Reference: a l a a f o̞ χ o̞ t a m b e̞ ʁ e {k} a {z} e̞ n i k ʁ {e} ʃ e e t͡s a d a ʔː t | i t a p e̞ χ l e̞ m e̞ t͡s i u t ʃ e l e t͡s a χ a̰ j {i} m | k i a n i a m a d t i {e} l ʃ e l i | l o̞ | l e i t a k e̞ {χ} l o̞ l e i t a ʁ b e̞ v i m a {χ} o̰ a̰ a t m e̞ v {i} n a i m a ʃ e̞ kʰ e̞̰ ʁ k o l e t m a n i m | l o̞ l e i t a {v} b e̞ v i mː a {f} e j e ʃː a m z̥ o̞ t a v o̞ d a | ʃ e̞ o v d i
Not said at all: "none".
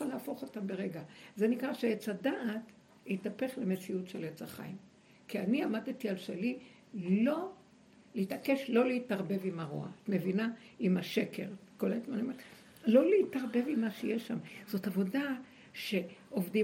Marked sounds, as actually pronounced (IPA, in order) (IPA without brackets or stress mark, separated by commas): ɡ, z, a, i, a, ʃ, ʁ, i, ʁ, ʃ